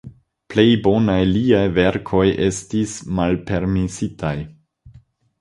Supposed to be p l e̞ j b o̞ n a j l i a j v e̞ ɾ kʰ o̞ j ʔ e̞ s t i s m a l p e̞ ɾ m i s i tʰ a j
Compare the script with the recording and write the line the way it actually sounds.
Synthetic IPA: p l e̞ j b o̞ n a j l i a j v e̞ ɾ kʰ o̞ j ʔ e̞ s t i s m a l p e̞ ɾ m i s i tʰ a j